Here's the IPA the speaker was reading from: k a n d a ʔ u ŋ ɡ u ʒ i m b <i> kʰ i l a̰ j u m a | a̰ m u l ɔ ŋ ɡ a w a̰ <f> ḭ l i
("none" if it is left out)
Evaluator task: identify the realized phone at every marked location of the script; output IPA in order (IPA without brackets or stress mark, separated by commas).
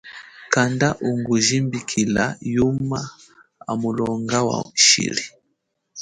i, ʃ